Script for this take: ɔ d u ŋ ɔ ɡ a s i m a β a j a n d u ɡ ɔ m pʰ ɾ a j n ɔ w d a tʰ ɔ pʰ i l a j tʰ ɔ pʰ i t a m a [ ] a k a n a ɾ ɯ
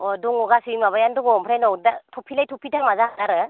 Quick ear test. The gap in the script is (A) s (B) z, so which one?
B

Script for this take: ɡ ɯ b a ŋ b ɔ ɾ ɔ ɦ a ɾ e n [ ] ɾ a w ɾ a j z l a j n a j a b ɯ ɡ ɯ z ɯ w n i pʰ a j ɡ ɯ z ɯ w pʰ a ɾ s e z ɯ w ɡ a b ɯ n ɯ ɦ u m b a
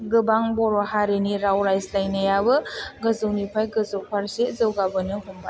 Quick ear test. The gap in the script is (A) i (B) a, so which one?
A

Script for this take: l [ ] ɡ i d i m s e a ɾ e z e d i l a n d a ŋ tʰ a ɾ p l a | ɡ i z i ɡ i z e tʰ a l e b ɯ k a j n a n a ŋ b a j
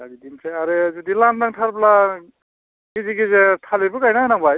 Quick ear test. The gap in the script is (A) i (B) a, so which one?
B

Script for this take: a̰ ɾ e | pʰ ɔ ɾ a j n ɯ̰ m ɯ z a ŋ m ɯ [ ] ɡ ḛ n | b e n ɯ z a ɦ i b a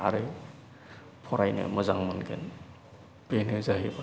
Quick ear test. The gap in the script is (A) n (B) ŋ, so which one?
A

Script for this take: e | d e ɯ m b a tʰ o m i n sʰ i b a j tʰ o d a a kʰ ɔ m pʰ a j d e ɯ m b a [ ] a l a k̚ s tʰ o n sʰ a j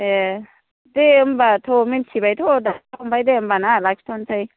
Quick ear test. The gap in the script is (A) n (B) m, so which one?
A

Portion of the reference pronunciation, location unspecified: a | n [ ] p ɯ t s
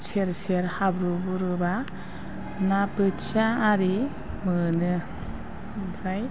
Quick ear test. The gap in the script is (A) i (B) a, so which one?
B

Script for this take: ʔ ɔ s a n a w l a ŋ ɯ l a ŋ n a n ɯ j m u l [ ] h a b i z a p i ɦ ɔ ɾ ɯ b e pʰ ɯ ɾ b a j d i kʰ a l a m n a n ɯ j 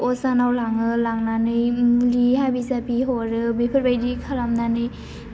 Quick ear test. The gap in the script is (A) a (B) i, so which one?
B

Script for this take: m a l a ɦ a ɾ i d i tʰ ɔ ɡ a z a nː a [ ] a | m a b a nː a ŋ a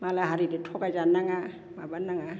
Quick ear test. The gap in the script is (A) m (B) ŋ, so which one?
B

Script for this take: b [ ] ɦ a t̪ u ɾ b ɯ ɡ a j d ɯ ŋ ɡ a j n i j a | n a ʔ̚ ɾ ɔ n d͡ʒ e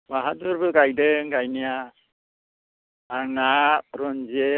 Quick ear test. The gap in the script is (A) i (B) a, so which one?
B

